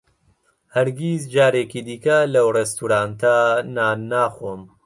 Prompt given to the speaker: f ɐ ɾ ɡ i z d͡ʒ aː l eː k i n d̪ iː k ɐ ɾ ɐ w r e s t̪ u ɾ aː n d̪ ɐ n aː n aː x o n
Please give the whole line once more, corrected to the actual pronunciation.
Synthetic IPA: h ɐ ɾ ɡ i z d͡ʒ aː ɾ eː k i d̪ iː k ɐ l ɐ w r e s t̪ u ɾ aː n t̪ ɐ n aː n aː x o m